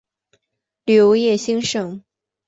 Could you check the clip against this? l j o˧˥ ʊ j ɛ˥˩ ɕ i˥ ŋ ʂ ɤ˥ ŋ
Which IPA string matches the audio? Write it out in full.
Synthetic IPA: l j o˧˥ ʊ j ɛ˥˩ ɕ i˥ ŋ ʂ ɤ˨˩˦ ŋ

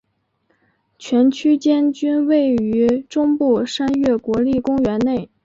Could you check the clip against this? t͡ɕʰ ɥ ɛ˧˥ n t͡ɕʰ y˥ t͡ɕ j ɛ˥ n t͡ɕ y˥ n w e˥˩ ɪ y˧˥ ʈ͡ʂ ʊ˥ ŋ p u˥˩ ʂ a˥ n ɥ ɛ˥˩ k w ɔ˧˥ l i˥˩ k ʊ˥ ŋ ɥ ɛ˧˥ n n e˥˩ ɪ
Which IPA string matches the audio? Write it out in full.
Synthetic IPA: t͡ɕʰ ɥ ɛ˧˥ n t͡ɕʰ y˥ t͡ɕ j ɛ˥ n t͡ɕ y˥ n w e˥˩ ɪ y˧˥ ʈ͡ʂ ʊ˥ ŋ p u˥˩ ʂ a˥ n ɥ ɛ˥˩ k w ɔ˧˥ l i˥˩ k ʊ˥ ŋ ɥ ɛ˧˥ n n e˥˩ ɪ

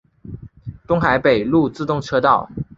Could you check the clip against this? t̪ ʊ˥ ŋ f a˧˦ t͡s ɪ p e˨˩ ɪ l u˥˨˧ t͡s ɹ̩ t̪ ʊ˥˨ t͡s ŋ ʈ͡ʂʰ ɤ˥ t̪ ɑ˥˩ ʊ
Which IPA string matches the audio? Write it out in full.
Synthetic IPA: t̪ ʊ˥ ŋ x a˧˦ ɪ p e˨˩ ɪ l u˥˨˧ t͡s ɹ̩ t̪ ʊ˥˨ ŋ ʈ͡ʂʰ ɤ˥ t̪ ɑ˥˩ ʊ

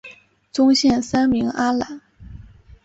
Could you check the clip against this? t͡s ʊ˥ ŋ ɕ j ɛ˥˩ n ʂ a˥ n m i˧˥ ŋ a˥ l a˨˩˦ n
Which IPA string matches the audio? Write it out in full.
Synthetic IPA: t͡s ʊ˥ ŋ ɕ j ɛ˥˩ n s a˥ n m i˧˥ ŋ a˥ l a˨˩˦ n

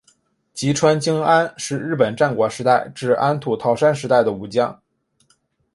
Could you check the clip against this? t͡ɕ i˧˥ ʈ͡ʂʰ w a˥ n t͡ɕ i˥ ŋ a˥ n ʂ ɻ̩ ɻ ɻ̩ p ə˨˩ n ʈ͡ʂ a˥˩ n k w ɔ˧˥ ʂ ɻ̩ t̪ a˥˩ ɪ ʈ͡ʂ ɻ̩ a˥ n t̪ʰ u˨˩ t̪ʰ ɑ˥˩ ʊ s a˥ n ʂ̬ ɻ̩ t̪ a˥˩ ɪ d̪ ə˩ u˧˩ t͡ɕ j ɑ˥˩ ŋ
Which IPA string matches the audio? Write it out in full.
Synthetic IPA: t͡ɕ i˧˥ ʈ͡ʂʰ w a˥ n t͡ɕ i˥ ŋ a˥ n ʂ ɻ̩ ɻ ɻ̩ p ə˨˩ n ʈ͡ʂ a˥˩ n k w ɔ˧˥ ʂ ɻ̩ t̪ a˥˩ ɪ ʈ͡ʂ ɻ̩ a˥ n t̪ʰ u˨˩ t̪ʰ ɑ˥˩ ʊ ʂ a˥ n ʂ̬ ɻ̩ t̪ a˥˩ ɪ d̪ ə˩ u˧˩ t͡ɕ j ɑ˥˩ ŋ

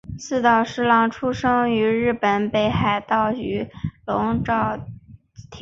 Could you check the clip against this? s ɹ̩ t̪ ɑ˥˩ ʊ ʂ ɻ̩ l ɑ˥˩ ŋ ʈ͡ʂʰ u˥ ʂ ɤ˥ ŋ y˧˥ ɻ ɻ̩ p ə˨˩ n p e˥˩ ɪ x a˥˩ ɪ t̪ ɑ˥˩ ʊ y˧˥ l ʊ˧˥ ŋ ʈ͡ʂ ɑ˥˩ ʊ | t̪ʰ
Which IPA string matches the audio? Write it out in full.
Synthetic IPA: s ɹ̩ t̪ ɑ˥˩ ʊ ʂ ɻ̩ l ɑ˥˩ ŋ ʈ͡ʂʰ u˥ ʂ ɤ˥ ŋ y˧˥ ɻ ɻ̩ p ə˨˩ n p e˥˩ ɪ x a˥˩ ɪ t̪ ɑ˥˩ ʊ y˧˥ l ʊ˧˥ ŋ ʈ͡ʂ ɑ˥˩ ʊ | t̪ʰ

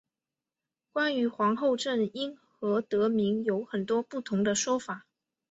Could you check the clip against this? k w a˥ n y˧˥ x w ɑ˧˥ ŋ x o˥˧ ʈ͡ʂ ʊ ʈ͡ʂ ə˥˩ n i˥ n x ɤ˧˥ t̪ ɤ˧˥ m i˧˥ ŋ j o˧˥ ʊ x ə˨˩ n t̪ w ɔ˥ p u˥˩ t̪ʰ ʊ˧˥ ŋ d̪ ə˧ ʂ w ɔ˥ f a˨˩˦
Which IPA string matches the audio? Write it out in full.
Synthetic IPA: k w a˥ n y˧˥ x w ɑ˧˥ ŋ x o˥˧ ʊ ʈ͡ʂ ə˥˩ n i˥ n x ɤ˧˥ t̪ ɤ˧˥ m i˧˥ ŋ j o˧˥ ʊ x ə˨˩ n t̪ w ɔ˥ p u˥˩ t̪ʰ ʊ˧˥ ŋ d̪ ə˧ ʂ w ɔ˥ f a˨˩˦

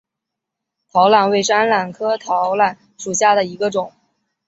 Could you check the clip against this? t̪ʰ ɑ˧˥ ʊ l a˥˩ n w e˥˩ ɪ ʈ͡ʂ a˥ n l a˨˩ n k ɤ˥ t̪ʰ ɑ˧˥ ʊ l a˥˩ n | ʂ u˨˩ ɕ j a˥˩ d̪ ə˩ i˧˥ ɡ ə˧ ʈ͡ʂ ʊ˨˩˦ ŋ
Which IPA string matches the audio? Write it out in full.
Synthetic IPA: t̪ʰ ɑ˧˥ ʊ l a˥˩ n w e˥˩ ɪ ʈ͡ʂ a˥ n l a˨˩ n kʰ ɤ˥ t̪ʰ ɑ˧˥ ʊ l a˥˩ n | ʂ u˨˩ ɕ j a˥˩ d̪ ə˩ i˧˥ ɡ ə˧ ʈ͡ʂ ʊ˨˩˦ ŋ

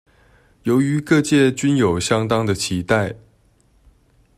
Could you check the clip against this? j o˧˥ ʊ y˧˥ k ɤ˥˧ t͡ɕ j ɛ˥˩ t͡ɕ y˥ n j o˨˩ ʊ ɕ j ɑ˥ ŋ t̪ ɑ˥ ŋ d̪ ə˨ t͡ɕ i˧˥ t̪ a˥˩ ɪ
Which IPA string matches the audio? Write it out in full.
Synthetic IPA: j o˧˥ ʊ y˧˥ k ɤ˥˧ t͡ɕ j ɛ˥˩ t͡ɕ y˥ n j o˨˩ ʊ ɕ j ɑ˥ ŋ t̪ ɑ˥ ŋ d̪ ə˨ t͡ɕʰ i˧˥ t̪ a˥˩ ɪ

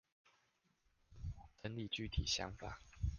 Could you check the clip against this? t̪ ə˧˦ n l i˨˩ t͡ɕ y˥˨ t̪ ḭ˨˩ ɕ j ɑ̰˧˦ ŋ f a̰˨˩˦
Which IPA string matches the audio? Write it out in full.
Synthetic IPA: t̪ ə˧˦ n l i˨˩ t͡ɕ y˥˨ t̪ʰ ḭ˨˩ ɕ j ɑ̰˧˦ ŋ f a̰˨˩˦

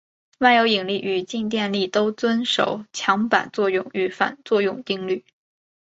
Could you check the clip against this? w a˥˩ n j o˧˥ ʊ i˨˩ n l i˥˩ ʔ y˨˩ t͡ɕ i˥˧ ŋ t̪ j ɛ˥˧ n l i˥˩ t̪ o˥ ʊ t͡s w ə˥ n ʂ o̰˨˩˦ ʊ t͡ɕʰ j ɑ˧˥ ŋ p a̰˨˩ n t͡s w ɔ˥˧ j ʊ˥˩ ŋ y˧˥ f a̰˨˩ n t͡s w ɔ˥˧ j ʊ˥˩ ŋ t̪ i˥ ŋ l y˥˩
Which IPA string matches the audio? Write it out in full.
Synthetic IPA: w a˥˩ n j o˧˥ ʊ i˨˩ ŋ l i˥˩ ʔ y˨˩ t͡ɕ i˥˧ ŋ t̪ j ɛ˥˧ n l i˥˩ t̪ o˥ ʊ t͡s w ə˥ n ʂ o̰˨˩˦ ʊ t͡ɕʰ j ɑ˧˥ ŋ p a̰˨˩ n t͡s w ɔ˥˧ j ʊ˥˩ ŋ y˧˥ f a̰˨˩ n t͡s w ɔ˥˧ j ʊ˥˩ ŋ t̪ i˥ ŋ l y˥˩

